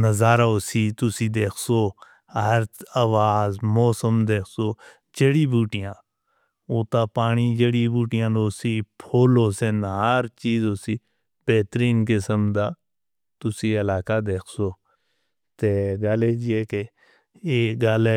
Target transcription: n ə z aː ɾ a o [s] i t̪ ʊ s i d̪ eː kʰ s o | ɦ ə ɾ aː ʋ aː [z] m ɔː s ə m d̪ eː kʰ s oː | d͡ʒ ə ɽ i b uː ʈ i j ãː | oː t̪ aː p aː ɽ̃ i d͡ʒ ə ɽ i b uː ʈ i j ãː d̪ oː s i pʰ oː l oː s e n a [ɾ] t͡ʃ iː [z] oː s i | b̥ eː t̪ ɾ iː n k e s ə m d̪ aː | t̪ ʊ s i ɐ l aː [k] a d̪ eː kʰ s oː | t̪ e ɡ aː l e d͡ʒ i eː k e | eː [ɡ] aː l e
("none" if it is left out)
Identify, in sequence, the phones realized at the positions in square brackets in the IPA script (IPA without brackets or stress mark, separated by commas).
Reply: s, z, ɾ, z, k, ɡ